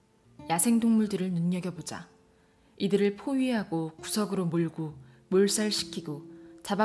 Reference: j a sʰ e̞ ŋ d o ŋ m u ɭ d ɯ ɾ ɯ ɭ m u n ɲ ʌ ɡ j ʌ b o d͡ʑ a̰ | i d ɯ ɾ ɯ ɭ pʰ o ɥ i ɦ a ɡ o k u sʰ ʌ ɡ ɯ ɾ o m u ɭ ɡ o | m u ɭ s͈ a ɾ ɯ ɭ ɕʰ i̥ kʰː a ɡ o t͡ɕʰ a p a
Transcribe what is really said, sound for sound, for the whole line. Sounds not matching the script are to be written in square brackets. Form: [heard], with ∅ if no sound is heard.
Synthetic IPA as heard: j a sʰ e̞ ŋ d o ŋ m u ɭ d ɯ ɾ ɯ ɭ [n] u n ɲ ʌ ɡ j ʌ b o d͡ʑ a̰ | i d ɯ ɾ ɯ ɭ pʰ o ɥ i ɦ a ɡ o k u sʰ ʌ ɡ ɯ ɾ o m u ɭ ɡ o | m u ɭ s͈ a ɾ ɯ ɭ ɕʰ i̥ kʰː [i] ɡ o [t͡ɕ] a [b] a